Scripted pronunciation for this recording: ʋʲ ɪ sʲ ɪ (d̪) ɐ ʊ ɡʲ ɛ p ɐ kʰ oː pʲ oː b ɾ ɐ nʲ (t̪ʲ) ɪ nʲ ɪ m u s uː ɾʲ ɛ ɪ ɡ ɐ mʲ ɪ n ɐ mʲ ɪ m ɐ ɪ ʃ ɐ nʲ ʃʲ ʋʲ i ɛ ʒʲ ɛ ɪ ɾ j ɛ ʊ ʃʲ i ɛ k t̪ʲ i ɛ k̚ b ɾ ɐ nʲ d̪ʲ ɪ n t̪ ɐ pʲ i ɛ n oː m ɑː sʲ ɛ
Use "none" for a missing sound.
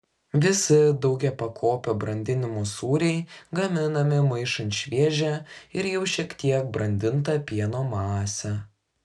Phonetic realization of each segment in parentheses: d̪, d̪ʲ

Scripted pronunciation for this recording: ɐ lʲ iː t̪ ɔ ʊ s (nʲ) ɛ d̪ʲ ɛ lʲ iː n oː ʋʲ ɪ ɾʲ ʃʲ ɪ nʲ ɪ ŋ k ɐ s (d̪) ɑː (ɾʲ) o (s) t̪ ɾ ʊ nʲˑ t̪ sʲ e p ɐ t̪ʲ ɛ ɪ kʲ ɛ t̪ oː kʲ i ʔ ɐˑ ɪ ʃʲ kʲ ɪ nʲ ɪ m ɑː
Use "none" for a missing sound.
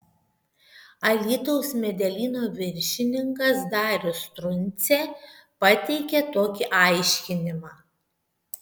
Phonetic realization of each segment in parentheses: mʲ, d̪, ɾʲ, s

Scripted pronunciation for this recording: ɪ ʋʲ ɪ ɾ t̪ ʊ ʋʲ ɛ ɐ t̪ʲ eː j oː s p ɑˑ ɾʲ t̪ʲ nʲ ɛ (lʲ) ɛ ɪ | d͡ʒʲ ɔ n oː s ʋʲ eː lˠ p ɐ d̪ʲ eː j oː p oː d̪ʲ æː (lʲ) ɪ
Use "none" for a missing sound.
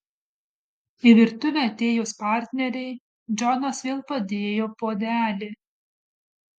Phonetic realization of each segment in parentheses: ɾʲ, lʲ

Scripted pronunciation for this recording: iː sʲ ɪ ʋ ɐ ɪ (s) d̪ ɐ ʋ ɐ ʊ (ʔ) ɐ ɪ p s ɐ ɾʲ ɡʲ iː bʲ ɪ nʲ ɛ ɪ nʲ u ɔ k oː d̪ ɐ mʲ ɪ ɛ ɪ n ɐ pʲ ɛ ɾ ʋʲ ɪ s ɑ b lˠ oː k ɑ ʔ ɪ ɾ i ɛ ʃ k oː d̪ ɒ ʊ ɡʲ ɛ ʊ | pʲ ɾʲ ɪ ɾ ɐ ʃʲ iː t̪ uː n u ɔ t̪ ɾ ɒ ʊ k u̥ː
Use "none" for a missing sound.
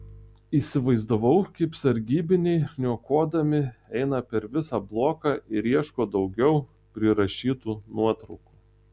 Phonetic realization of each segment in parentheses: z, k

